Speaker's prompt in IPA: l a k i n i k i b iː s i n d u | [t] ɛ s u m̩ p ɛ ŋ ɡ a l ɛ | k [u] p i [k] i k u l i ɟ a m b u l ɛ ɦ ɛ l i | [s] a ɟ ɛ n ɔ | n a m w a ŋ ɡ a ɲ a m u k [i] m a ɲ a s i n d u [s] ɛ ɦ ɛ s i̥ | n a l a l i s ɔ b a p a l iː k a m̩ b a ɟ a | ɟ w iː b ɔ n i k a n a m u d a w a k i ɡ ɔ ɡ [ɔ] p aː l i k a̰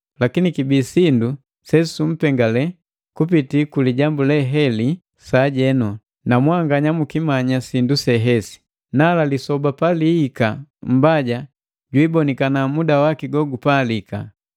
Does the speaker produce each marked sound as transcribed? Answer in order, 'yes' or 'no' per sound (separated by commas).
no, yes, no, yes, yes, yes, no